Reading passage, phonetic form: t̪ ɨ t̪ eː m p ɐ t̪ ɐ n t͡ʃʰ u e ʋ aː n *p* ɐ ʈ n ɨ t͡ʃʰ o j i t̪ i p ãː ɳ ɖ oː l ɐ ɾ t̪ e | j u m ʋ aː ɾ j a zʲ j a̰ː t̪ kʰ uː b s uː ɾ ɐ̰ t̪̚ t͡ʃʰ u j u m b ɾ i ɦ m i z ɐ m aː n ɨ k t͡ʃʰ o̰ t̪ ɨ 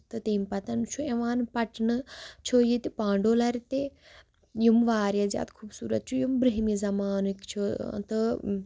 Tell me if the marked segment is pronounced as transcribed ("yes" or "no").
yes